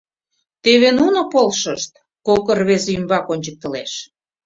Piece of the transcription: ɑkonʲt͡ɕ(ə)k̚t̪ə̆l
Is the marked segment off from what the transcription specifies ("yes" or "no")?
no